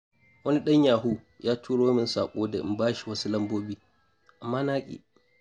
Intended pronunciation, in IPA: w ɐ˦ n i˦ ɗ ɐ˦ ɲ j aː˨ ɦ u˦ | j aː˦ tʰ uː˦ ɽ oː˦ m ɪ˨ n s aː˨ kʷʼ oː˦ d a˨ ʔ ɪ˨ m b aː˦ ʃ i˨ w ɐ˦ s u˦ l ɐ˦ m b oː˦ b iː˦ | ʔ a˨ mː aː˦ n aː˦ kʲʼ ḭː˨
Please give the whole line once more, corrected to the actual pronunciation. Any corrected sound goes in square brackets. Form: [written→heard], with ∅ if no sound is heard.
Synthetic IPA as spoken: w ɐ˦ n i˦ ɗ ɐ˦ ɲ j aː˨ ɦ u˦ | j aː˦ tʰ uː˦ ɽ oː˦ m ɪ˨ n s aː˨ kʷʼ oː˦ d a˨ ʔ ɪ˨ m b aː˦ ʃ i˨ w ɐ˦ s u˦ l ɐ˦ m b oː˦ b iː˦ | ʔ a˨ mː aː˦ n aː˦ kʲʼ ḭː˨